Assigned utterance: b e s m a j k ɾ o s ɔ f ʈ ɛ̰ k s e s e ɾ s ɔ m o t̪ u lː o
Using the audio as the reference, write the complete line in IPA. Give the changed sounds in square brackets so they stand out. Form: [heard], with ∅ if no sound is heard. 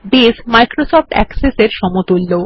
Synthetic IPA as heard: b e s m a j k ɾ o s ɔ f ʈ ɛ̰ k s e s e ɾ [ʃ] ɔ m o t̪ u lː o